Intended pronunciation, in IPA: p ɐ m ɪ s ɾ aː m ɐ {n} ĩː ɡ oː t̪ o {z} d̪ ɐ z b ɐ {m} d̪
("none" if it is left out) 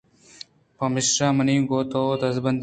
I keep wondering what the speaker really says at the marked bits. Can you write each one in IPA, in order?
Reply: n, none, n

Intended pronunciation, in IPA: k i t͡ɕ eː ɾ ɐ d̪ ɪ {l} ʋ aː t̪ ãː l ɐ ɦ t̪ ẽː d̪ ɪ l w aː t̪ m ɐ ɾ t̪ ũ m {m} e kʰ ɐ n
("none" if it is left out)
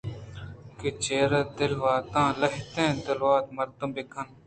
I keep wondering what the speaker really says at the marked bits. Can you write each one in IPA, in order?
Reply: l, b

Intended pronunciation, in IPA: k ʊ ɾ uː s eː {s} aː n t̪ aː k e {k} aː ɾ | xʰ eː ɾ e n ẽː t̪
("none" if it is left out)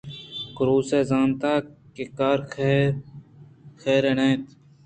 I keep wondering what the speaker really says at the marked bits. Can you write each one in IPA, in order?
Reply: z, k

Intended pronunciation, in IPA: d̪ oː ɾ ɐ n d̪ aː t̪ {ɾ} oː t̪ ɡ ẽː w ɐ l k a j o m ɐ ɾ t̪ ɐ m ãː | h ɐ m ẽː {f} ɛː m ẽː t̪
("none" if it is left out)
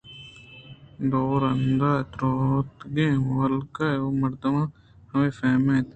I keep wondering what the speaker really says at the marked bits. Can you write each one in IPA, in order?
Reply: ɾ, f

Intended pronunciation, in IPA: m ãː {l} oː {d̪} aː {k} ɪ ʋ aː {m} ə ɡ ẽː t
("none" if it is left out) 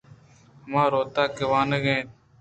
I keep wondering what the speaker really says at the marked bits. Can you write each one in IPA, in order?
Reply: ɾ, t̪, k, n

